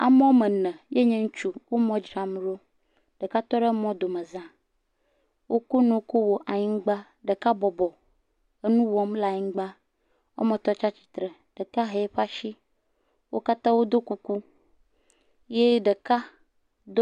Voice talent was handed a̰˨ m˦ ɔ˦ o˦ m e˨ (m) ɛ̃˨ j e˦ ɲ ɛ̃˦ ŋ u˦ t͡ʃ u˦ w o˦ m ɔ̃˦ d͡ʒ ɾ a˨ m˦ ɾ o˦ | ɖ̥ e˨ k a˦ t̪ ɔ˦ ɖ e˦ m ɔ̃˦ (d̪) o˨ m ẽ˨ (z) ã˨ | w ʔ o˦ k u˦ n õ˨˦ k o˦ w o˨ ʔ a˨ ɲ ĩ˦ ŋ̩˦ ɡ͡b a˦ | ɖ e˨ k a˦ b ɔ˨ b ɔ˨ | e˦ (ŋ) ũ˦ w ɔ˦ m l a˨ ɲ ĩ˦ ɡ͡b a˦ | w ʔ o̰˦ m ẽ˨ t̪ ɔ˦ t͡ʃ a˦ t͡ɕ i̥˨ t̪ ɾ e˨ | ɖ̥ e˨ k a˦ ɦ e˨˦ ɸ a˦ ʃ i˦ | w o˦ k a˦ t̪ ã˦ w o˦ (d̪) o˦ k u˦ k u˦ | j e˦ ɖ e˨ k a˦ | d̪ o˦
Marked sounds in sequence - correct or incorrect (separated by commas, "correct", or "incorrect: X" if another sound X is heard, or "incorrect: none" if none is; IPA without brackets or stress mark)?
incorrect: n, correct, correct, incorrect: n, correct